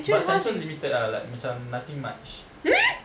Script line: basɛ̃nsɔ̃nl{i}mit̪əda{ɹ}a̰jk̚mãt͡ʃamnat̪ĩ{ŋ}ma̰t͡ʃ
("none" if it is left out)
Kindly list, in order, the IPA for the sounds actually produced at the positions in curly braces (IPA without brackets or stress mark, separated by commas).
i, l, ŋ